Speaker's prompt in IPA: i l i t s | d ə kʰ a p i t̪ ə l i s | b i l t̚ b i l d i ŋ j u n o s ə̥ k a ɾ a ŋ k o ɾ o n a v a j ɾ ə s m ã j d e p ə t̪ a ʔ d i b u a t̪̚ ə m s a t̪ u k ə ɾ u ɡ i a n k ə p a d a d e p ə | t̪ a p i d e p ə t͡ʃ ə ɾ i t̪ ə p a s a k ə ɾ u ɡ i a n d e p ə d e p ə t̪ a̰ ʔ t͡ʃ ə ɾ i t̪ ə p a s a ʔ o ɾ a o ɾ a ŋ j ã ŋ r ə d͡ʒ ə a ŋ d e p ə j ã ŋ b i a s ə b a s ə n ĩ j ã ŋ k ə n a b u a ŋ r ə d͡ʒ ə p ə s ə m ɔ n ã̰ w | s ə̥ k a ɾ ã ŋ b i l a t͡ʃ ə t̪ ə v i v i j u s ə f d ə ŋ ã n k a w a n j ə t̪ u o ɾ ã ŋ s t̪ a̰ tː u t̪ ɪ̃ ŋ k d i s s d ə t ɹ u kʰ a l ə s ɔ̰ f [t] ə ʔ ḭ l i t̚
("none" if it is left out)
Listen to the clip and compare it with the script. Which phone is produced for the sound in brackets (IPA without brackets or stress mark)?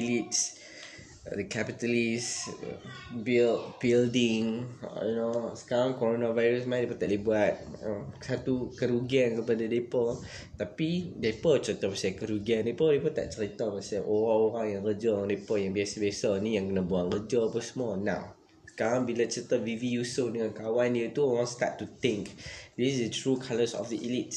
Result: d